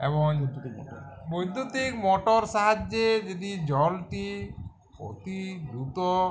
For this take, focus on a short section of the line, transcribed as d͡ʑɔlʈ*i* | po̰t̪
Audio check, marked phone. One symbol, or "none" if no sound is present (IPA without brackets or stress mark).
i